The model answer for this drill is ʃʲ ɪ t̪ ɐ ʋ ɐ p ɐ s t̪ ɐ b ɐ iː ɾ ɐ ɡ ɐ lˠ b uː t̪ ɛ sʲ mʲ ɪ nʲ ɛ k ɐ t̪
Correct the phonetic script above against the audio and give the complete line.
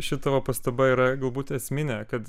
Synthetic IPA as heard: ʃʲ ɪ t̪ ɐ ʋ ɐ p ɐ s t̪ ɐ b ɐ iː ɾ ɐ ɡ ɐ lˠ b uː t̪ ɛ sʲ mʲ ɪ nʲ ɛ k ɐ t̪